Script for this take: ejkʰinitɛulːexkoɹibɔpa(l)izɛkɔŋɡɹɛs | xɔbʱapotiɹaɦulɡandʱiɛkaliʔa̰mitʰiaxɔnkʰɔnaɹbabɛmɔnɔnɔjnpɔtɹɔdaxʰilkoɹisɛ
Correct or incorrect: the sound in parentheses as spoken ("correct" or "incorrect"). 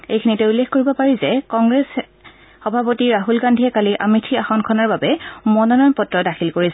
incorrect